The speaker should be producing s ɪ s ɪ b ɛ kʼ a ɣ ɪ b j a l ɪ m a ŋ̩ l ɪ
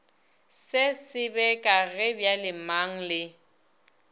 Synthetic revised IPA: s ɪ s ɪ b ɛ kʼ a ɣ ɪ b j a l ɪ m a ŋ̩ l ɪ